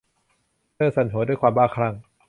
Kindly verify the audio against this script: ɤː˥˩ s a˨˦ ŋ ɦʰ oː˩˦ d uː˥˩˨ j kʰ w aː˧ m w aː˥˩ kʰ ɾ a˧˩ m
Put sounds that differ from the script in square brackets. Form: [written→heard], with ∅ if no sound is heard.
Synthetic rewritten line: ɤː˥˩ s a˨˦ [ŋ→n] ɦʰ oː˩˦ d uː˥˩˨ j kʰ w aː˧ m [w→b] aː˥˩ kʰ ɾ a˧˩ [m→ŋ]